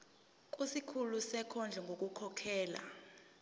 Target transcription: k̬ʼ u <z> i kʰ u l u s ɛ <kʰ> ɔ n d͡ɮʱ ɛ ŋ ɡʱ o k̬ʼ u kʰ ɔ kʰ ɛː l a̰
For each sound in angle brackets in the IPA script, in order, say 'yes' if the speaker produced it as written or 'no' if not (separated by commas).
no, yes